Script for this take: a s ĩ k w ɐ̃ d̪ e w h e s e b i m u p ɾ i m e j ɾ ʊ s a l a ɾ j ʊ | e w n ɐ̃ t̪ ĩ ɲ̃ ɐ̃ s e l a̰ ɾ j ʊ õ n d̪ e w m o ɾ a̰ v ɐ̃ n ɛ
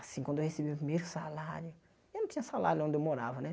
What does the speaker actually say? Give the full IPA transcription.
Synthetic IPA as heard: a s ĩ k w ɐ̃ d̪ e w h e s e b i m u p ɾ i m e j ɾ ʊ s a l a ɾ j ʊ | e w n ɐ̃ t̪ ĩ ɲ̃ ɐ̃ s a l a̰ ɾ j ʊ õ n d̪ e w m o ɾ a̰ v ɐ n ɛ